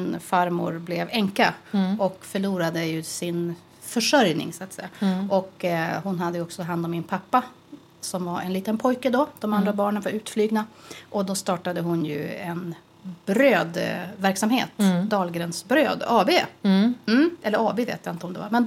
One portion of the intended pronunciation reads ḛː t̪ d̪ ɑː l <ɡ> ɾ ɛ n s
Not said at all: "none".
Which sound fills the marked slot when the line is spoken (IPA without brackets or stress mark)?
ɡ